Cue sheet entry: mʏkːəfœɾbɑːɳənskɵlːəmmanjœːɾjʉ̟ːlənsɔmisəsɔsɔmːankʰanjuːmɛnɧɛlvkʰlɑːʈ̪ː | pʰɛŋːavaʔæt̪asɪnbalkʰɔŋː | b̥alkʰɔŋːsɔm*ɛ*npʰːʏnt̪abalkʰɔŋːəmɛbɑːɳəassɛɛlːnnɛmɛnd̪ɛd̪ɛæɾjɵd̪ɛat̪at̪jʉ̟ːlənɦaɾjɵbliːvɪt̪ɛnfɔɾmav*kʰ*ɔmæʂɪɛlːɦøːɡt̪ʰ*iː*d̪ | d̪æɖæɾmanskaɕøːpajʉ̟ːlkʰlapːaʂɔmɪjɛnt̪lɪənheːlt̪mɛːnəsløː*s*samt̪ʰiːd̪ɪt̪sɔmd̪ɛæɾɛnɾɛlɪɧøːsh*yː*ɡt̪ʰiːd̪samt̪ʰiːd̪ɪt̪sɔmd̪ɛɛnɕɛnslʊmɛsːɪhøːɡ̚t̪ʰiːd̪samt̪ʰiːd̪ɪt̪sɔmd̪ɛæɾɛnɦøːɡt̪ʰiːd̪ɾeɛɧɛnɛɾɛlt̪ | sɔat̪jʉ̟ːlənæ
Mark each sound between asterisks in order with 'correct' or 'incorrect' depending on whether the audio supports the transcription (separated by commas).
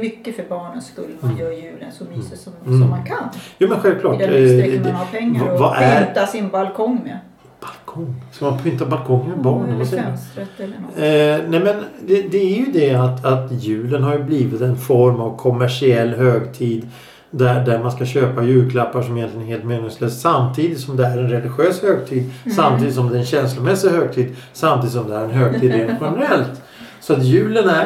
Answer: incorrect, correct, correct, correct, incorrect